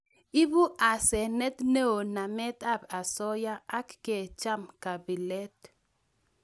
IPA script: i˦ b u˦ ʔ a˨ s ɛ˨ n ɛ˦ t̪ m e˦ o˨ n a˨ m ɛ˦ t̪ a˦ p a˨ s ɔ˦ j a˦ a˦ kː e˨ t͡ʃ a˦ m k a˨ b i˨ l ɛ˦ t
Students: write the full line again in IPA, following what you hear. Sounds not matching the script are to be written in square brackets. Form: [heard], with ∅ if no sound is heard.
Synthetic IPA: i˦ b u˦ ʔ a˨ s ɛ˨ n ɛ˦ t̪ [n] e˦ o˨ n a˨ m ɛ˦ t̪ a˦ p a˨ s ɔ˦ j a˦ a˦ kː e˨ t͡ʃ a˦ m k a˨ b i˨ l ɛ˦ t